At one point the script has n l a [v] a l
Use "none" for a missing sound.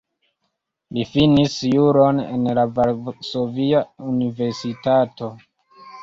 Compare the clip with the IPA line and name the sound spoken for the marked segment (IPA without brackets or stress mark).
v